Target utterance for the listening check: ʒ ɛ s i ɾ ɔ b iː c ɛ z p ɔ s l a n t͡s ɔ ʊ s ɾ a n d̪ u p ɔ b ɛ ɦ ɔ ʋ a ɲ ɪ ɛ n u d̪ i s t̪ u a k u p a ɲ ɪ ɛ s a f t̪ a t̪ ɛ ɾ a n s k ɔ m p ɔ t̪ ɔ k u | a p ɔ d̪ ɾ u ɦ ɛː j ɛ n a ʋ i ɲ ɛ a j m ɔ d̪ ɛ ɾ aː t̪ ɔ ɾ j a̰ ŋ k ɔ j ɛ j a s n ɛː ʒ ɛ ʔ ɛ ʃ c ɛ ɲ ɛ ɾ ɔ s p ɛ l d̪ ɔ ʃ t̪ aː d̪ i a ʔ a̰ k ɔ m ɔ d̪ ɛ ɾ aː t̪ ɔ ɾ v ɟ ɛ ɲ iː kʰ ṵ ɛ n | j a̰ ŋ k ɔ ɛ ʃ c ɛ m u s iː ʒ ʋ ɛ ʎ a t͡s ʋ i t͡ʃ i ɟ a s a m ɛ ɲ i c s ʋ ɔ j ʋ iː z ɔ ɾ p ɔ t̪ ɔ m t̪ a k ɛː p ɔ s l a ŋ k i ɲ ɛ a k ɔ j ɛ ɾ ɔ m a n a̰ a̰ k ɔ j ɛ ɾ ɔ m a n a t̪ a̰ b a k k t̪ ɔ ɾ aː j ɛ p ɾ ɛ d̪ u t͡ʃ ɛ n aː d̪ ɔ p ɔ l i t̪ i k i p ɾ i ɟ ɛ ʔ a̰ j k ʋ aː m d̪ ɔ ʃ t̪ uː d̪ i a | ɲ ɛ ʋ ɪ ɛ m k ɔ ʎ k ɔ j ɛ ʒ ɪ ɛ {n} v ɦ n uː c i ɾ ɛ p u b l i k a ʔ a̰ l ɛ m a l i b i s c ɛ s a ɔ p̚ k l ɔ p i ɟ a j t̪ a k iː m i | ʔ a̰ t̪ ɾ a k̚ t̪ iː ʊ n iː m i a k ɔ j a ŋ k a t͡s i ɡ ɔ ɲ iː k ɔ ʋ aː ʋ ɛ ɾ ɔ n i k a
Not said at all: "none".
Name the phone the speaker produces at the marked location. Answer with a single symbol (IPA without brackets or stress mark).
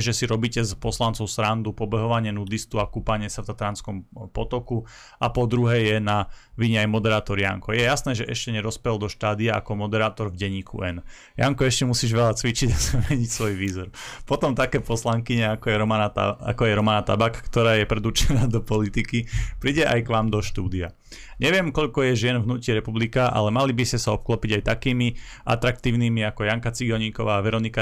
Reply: n